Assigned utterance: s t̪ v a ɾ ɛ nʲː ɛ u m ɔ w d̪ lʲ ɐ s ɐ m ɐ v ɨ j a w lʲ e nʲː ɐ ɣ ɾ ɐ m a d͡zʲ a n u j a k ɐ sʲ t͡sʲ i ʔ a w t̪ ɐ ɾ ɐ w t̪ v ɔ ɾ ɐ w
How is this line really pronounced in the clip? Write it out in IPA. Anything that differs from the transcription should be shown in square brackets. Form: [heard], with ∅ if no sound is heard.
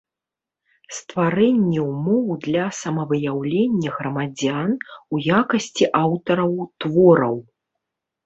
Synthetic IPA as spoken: s t̪ v a ɾ ɛ nʲː ɛ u m ɔ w d̪ lʲ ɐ s ɐ m ɐ v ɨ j a w lʲ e nʲː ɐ ɣ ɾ ɐ m a d͡zʲ a n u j a k ɐ sʲ t͡sʲ i ʔ a w t̪ ɐ ɾ ɐ w t̪ v ɔ ɾ ɐ w